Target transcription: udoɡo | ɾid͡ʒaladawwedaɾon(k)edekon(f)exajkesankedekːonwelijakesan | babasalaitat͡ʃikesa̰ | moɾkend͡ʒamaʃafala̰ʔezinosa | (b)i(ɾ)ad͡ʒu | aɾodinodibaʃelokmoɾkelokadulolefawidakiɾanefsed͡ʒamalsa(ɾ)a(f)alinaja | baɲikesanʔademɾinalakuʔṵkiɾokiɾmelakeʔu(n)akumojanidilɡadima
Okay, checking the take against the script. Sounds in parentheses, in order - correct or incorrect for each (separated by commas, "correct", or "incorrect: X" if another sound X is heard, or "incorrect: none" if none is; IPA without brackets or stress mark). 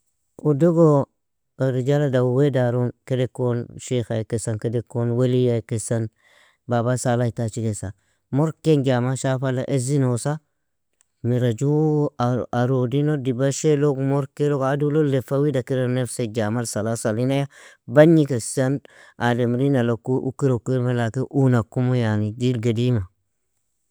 correct, incorrect: ʃ, incorrect: m, correct, incorrect: l, incorrect: s, correct